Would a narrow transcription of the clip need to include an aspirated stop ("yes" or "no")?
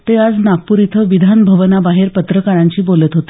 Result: yes